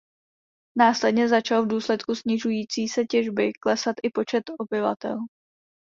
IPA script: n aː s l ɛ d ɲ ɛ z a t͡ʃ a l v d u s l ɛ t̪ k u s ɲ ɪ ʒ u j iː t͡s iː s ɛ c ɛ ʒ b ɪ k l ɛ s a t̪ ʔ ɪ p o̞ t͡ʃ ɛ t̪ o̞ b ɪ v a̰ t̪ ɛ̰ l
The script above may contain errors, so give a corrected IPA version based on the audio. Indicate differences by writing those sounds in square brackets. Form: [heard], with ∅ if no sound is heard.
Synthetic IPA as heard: n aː s l ɛ d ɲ ɛ z a t͡ʃ a l v d [uː] s l ɛ t̪ k u s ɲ ɪ ʒ u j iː t͡s iː s ɛ c ɛ ʒ b ɪ k l ɛ s a t̪ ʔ ɪ p o̞ t͡ʃ ɛ t̪ o̞ b ɪ v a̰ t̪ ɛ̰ l